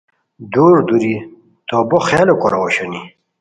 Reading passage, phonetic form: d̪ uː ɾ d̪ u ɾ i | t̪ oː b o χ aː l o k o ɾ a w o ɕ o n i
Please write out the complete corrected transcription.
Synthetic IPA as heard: d̪ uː ɾ d̪ u ɾ i | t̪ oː b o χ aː l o k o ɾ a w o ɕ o n i